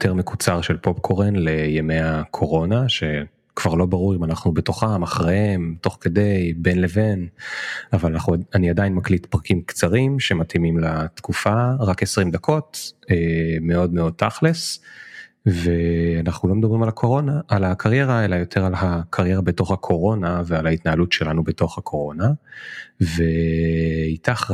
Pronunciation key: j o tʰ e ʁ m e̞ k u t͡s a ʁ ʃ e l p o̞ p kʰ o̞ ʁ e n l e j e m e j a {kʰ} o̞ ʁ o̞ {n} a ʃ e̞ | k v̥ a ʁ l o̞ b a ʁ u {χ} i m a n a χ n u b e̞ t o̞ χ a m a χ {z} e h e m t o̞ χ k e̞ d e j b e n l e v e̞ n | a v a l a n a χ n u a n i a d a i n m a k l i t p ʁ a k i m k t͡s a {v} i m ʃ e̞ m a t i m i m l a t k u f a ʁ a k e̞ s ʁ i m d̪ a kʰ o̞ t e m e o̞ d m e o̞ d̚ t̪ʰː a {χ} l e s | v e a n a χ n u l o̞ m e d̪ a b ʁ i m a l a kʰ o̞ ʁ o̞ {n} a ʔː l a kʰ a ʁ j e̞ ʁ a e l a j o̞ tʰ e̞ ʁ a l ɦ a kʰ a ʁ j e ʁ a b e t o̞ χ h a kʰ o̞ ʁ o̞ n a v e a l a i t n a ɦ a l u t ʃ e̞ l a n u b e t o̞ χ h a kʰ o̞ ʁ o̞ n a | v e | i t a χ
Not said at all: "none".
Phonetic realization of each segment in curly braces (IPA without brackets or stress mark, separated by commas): kʰ, n, ʁ, ʁ, ʁ, χ, n